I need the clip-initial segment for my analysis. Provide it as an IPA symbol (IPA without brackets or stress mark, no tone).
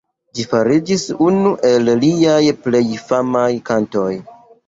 d͡ʒ